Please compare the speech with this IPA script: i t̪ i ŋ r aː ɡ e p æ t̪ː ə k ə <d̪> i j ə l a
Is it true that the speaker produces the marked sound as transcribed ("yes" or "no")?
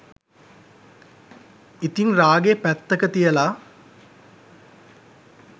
no